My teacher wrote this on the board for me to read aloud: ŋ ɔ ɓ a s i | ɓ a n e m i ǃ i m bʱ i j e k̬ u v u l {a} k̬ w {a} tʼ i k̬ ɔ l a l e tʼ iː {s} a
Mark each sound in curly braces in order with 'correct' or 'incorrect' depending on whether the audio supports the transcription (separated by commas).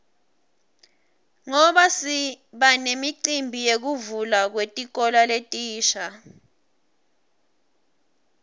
correct, incorrect, incorrect